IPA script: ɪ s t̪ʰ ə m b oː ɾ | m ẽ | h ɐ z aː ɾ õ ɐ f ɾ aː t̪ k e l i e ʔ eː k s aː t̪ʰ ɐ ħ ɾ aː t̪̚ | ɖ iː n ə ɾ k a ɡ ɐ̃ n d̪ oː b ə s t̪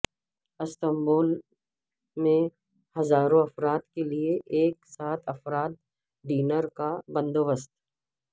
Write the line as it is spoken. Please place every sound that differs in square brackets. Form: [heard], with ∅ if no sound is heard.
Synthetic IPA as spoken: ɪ s [t̪] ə m b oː [l] | m ẽ | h ɐ z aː ɾ õ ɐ f ɾ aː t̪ k e l i e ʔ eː k s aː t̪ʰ ɐ [f] ɾ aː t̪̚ | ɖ iː n ə ɾ k a [b] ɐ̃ n d̪ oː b ə s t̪